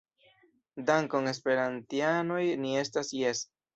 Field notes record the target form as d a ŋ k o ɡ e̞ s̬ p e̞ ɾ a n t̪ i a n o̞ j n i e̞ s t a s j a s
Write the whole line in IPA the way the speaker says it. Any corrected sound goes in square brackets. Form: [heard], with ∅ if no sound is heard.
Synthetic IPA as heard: d a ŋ k o [ŋ] e̞ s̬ p e̞ ɾ a n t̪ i a n o̞ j n i e̞ s t a s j [e] s